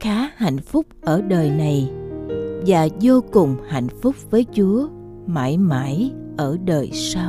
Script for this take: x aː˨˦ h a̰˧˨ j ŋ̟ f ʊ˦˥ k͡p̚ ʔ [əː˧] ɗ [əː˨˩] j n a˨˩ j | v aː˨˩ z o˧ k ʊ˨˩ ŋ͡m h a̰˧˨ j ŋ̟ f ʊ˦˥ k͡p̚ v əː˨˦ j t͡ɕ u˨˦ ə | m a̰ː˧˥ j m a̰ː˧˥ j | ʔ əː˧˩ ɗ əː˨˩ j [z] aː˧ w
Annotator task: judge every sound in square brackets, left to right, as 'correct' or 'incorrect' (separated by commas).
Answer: incorrect, correct, incorrect